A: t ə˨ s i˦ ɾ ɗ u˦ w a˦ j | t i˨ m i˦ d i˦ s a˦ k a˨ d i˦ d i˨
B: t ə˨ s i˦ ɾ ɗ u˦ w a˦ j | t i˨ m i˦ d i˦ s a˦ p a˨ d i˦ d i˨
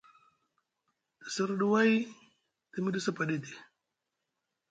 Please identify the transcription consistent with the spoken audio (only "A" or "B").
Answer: B